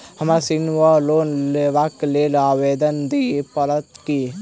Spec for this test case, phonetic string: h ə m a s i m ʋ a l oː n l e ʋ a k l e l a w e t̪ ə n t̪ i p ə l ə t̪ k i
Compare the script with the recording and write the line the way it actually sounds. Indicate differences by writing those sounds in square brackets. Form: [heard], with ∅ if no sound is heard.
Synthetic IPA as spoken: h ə m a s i [n] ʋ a l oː n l e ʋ a k l e l a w e [d̪] ə n [d̪] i p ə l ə t̪ k i